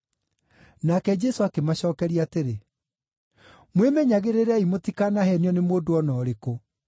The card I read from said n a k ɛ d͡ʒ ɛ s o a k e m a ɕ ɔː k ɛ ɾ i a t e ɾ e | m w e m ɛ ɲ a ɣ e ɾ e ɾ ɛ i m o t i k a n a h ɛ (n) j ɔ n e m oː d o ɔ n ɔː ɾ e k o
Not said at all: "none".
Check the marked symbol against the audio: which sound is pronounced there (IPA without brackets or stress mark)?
n